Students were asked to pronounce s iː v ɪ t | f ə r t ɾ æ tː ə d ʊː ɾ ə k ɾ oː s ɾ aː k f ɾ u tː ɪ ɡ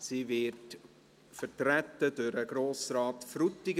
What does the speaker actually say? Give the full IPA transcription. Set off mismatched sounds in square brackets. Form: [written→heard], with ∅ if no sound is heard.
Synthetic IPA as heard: s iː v ɪ t | f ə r t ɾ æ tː ə d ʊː ɾ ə [k→ɡ] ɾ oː s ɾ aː [k→t] f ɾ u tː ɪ ɡ